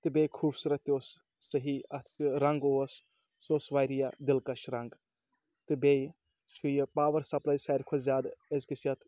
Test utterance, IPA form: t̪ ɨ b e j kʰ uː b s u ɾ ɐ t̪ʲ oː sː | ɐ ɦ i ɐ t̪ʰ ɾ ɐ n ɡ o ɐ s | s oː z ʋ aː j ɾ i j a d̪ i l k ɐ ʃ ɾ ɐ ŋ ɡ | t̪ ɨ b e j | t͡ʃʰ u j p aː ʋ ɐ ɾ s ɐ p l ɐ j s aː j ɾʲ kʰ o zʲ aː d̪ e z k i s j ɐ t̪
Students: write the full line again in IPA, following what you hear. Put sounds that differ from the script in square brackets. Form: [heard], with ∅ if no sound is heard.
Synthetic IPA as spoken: t̪ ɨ b e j kʰ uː b s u ɾ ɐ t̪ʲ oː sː | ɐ ɦ i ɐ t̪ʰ ɾ ɐ [ŋ] ɡ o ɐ s | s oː [s] ʋ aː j ɾ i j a d̪ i l k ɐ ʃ ɾ ɐ ŋ ɡ | t̪ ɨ b e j | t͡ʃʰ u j p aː ʋ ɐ ɾ s ɐ p l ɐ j s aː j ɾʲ kʰ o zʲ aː d̪ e z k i s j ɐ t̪